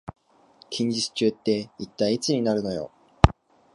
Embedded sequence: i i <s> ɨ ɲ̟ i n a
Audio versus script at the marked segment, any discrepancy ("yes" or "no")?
yes